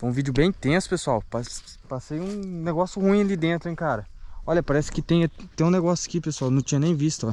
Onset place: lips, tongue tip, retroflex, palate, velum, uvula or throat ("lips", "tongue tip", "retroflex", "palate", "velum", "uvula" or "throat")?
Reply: lips